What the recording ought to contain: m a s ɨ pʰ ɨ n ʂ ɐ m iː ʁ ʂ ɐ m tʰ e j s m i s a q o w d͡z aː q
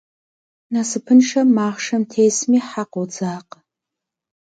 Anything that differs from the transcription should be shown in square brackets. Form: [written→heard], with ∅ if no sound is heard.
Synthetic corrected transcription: [m→n] a s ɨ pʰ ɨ n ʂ ɐ m [iː→aː] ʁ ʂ ɐ m tʰ e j s m i [s→ħ] a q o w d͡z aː q